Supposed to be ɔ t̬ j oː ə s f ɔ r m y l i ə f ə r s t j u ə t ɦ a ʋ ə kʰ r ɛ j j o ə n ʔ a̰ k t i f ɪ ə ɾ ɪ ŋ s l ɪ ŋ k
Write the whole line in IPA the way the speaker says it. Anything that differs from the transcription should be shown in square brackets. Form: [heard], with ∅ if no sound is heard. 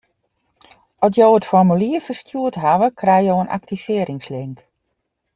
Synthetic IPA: ɔ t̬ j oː ə [t] f ɔ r m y l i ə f ə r s t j u ə t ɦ a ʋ ə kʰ r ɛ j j o ə n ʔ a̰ k t i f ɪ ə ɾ ɪ ŋ s l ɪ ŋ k